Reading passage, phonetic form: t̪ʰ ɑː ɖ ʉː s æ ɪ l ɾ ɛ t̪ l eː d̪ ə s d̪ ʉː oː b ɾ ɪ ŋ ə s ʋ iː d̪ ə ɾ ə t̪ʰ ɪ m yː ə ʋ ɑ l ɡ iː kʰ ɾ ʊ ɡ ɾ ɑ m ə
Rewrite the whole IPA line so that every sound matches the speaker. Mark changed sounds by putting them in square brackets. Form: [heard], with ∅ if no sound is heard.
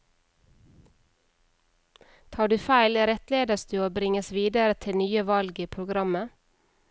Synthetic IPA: t̪ʰ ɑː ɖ ʉː [f] æ ɪ l ɾ ɛ t̪ l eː d̪ ə s d̪ ʉː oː b ɾ ɪ ŋ ə s ʋ iː d̪ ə ɾ ə t̪ʰ ɪ [n] yː ə ʋ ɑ l ɡ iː [pʰ] ɾ ʊ ɡ ɾ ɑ m ə